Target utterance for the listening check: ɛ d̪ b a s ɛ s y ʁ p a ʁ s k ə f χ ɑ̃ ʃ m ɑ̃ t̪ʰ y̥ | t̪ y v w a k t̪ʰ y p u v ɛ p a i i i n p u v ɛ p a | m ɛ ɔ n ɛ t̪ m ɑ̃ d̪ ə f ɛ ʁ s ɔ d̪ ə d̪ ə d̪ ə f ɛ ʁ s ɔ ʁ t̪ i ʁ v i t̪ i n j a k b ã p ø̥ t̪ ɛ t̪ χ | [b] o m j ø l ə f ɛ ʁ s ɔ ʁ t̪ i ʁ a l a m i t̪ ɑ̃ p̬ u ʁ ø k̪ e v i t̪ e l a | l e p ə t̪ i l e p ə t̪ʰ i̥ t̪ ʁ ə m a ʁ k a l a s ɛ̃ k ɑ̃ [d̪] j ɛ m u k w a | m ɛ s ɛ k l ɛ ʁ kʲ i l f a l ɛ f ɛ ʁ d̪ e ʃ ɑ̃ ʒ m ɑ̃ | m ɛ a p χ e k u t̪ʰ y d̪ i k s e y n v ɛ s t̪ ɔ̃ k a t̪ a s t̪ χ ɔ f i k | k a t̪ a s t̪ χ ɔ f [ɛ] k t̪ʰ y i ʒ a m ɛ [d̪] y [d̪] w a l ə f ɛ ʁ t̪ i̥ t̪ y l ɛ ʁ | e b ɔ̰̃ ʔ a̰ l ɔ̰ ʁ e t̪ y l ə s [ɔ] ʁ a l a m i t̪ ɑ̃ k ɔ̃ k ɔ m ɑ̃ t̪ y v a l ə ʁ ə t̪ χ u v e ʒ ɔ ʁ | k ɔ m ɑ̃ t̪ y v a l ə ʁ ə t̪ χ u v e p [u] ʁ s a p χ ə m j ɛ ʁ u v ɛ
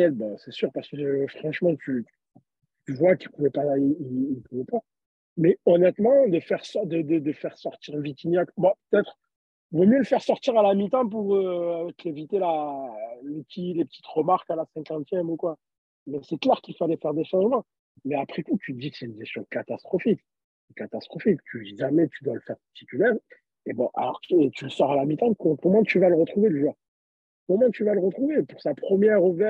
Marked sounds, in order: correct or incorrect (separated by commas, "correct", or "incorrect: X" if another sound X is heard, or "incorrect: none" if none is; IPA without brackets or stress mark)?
incorrect: v, incorrect: t̪, incorrect: i, incorrect: t̪, correct, correct, correct